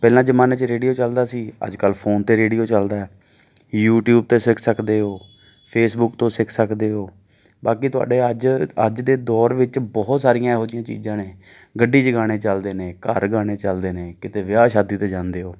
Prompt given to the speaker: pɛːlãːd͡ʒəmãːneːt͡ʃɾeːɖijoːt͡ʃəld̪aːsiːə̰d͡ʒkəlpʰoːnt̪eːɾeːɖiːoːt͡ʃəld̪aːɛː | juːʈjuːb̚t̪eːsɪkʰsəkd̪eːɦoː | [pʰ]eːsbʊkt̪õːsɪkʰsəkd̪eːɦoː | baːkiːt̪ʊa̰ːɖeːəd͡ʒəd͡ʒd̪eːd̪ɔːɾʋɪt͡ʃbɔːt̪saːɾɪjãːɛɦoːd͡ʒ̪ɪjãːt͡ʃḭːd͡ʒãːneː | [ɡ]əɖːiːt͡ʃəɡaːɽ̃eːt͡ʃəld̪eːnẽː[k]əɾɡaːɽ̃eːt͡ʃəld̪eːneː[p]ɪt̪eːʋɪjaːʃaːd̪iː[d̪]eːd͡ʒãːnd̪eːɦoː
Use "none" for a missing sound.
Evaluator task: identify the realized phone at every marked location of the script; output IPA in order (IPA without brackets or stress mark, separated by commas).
pʰ, ɡ, k, k, t̪